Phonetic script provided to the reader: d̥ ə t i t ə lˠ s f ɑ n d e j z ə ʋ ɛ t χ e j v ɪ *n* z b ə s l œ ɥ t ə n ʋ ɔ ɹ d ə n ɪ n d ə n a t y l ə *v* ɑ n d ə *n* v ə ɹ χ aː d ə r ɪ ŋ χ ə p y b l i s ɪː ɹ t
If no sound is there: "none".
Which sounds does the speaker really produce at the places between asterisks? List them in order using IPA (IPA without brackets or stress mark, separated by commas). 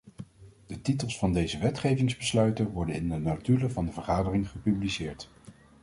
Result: ŋ, v, none